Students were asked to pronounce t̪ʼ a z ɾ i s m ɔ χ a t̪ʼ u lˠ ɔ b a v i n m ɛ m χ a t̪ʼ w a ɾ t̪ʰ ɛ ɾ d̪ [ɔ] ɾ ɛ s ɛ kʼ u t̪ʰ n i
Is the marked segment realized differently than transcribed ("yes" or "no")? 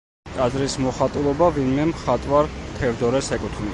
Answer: no